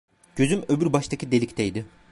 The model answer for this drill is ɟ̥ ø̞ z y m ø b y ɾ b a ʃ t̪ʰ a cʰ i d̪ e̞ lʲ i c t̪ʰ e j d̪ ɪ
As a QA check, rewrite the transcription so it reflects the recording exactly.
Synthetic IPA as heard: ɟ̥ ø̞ z y m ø b y ɾ b a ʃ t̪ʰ a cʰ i d̪ e̞ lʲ i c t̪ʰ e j d̪ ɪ